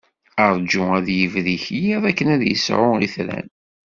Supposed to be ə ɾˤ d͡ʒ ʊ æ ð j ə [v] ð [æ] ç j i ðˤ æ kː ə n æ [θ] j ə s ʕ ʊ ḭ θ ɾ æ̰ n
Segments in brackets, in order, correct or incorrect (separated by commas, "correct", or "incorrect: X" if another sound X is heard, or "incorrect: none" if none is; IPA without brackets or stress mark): correct, incorrect: i, incorrect: ð